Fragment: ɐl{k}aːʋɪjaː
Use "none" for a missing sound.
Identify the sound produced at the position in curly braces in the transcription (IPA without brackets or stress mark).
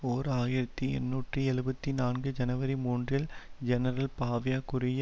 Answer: p